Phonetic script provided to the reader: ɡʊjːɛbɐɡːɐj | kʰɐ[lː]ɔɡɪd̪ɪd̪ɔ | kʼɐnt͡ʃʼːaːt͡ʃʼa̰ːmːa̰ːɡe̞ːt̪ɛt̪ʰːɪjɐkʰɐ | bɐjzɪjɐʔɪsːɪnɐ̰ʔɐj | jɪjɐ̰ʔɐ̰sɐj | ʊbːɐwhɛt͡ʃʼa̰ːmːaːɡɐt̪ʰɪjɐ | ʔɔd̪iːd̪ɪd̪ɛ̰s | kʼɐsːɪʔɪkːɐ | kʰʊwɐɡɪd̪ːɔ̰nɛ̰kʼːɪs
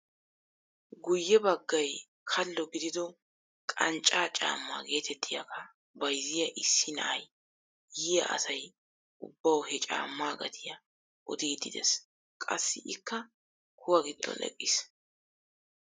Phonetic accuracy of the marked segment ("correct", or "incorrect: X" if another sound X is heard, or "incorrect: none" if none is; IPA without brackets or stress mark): correct